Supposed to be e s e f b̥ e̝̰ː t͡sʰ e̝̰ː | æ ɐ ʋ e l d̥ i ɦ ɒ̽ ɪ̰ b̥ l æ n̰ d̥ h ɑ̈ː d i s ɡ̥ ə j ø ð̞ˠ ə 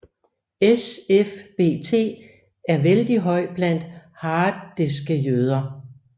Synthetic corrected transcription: e s e f b̥ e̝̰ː t͡sʰ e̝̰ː | æ ɐ ʋ e l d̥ i ɦ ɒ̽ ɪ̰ b̥ l æ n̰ d̥ h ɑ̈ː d e s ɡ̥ ə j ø ð̞ˠ ɐ